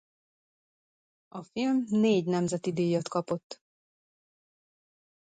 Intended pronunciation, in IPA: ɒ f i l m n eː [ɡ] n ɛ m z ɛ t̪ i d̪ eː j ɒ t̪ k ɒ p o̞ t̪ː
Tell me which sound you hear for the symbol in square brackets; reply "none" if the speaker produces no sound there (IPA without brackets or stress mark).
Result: ɟ